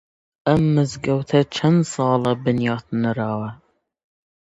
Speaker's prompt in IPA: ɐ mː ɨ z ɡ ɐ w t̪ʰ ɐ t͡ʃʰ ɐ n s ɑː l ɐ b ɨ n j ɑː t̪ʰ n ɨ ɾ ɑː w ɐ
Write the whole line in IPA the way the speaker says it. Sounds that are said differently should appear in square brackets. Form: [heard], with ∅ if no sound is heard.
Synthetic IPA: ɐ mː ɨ z ɡ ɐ w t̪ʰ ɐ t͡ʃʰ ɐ n s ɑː l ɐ b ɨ n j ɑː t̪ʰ n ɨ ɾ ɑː w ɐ